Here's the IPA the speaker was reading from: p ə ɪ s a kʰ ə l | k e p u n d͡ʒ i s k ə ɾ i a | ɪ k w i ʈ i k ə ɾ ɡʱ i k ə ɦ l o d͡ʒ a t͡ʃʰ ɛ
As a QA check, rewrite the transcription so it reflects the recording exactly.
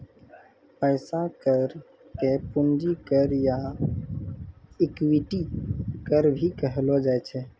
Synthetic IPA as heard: p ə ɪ s a k ə ɾ | k e p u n d͡ʒ i k ə ɾ j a | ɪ k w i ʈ i k ə ɾ bʱ i k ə ɦ l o d͡ʒ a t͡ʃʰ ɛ